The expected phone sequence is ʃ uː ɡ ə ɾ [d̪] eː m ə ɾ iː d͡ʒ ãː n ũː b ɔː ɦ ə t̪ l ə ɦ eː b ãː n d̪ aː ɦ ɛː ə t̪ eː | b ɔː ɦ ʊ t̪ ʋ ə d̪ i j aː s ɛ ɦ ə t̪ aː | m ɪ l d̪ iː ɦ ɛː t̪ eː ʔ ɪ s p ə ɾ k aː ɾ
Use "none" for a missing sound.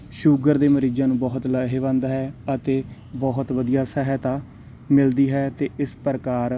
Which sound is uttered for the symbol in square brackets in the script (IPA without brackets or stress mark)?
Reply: d̪